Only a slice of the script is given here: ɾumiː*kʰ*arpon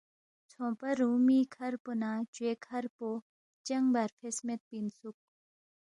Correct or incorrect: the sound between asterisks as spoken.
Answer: correct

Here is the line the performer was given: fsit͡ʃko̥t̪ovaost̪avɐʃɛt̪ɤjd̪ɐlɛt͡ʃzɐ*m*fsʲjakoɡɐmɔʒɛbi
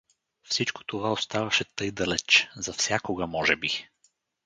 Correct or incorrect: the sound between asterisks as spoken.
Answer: incorrect: none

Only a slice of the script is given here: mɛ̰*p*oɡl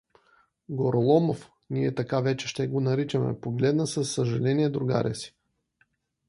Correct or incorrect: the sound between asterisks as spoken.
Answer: correct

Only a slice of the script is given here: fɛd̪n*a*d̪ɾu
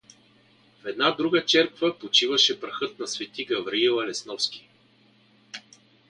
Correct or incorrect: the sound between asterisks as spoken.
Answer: correct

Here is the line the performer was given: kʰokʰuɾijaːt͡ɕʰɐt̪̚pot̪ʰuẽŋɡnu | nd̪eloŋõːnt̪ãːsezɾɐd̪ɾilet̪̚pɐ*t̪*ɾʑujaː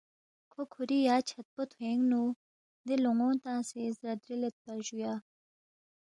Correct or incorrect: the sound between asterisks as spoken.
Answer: incorrect: none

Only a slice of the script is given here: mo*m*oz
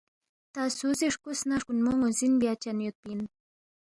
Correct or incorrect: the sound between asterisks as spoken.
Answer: incorrect: ŋ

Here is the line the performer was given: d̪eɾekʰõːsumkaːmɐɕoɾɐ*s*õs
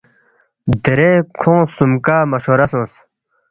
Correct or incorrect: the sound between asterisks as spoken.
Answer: correct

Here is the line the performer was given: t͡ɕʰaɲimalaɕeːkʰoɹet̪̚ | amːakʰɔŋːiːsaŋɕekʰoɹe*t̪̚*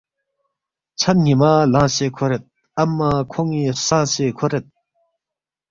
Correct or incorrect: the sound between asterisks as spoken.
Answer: correct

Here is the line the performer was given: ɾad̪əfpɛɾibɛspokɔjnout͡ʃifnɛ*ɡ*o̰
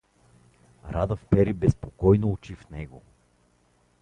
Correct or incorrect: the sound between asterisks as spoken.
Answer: correct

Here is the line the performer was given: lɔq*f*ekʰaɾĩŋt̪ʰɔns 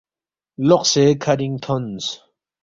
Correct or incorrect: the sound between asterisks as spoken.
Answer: incorrect: s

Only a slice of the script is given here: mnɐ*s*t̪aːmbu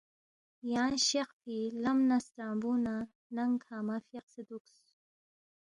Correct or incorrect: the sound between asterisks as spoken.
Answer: correct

